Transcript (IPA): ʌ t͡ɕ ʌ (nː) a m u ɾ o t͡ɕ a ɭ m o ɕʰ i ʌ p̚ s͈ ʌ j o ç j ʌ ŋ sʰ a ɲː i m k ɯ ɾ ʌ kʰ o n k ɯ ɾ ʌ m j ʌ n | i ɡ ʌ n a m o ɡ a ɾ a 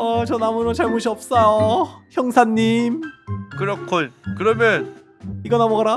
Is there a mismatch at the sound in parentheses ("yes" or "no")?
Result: yes